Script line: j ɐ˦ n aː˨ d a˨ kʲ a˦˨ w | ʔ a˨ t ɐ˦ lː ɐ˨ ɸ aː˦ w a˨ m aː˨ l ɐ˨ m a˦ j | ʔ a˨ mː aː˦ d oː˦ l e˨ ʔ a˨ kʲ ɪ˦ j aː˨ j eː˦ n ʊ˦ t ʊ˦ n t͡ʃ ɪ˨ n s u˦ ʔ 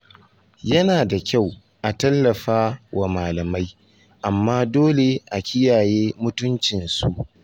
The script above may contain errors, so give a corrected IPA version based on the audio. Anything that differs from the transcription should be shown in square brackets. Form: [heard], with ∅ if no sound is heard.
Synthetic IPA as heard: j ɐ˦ n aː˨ d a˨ kʲ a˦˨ w | ʔ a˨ t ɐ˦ lː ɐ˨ ɸ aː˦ w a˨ m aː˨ l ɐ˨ m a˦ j | ʔ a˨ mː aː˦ d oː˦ l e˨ ʔ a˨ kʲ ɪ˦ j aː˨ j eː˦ [m] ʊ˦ t ʊ˦ n t͡ʃ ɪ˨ n s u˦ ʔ

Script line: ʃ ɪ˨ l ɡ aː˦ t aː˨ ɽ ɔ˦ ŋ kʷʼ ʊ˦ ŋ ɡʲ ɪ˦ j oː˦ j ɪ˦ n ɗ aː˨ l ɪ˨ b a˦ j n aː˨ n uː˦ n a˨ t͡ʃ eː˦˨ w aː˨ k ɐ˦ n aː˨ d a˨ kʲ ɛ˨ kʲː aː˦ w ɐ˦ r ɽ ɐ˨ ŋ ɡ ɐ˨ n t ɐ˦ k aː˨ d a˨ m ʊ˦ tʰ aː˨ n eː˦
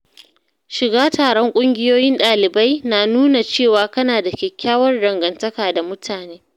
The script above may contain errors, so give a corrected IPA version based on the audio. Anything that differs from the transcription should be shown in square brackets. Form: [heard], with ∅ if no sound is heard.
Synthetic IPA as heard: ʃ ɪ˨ [∅] ɡ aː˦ t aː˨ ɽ ɔ˦ ŋ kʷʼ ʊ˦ ŋ ɡʲ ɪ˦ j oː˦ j ɪ˦ n ɗ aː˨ l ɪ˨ b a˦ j n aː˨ n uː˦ n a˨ t͡ʃ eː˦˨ w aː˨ k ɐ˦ n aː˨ d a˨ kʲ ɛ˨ kʲː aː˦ w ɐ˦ r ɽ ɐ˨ ŋ ɡ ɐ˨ n t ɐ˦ k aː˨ d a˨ m ʊ˦ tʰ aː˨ n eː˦

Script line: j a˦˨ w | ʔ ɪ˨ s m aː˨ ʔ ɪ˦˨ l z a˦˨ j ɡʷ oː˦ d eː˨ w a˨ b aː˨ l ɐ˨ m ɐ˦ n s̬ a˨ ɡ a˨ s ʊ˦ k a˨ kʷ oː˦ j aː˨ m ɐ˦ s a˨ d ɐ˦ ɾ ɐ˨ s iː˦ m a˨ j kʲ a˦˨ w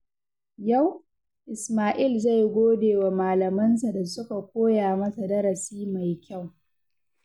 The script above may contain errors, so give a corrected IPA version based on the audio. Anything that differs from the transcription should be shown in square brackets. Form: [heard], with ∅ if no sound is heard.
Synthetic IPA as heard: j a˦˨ w | ʔ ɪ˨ s m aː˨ ʔ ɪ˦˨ l z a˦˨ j ɡʷ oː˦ d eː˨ w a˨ [m] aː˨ l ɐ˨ m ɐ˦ n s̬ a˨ [d] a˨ s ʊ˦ k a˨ kʷ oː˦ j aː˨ m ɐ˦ s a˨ d ɐ˦ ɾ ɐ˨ s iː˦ m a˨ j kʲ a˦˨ w

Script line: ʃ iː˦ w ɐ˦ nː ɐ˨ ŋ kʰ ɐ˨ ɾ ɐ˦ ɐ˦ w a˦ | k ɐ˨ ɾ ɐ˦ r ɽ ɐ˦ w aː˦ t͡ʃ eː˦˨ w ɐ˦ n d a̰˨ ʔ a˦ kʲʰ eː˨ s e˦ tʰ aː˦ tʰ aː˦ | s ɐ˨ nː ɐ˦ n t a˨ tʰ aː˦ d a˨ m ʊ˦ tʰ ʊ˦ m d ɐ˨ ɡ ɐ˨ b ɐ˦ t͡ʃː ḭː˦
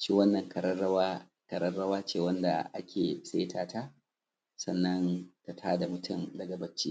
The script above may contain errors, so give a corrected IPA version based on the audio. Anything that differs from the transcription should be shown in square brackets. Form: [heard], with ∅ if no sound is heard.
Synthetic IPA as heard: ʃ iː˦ w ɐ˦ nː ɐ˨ ŋ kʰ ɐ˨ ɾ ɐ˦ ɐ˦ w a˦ | k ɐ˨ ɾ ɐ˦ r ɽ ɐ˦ w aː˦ t͡ʃ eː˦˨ w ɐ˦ n d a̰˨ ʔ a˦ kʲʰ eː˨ s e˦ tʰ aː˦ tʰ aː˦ | s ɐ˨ nː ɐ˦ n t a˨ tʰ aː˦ d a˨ m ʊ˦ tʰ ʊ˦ m d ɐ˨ ɡ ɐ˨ b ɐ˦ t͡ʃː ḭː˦

